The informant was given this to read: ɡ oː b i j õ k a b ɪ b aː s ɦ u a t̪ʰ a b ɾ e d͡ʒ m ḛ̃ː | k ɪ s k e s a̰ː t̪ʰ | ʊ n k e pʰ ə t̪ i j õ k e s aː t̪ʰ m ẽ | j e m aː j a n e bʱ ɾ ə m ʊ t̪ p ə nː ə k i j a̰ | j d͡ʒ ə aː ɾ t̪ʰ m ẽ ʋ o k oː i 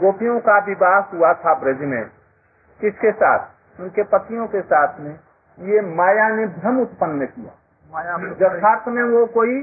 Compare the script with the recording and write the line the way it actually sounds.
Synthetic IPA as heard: ɡ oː p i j õ k a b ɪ b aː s ɦ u a t̪ʰ a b ɾ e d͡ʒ m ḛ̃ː | k ɪ s k e s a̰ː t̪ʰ | ʊ n k e p ə t̪ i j õ k e s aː t̪ʰ m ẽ | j e m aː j a n e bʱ ɾ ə m ʊ t̪ p ə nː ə k i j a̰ | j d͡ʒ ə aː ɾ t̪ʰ m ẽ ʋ o k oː i